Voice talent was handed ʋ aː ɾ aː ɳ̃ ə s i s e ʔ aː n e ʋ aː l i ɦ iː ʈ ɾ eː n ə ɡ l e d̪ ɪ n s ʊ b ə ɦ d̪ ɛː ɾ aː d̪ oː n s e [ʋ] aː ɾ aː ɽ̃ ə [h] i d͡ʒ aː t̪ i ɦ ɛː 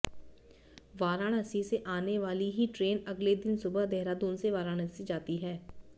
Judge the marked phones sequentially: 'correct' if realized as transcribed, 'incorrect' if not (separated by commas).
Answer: correct, incorrect